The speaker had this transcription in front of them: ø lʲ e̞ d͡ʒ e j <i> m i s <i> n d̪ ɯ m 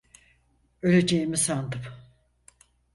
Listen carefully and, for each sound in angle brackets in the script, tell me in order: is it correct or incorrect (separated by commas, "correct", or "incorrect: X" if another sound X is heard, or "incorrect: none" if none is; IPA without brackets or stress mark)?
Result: correct, incorrect: a